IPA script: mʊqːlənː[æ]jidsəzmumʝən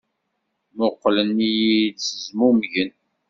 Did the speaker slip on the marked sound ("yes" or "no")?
yes